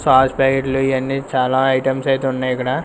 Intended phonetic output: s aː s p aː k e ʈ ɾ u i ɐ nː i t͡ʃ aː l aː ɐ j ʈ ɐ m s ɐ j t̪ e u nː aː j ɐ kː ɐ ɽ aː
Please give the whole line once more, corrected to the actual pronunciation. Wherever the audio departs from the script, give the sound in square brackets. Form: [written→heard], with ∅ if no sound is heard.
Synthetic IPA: s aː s p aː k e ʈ [ɾ→l] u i ɐ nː i t͡ʃ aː l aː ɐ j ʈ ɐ m s ɐ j t̪ e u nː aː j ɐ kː ɐ ɽ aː